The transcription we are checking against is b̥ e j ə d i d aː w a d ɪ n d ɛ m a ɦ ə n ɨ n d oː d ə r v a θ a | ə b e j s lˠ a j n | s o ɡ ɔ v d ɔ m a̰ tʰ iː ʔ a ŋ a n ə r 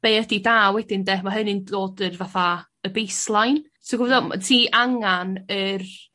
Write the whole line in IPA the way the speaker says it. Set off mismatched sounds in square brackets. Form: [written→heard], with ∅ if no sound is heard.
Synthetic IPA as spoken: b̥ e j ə d i d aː w [a→ɛ] d ɪ n d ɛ m a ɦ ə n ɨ n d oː d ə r v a θ a | ə b e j s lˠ a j n | s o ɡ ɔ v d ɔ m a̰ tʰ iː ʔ a ŋ a n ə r